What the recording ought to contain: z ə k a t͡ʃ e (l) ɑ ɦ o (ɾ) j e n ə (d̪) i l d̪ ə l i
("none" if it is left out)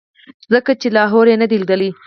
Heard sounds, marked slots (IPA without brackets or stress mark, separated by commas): l, ɾ, d̪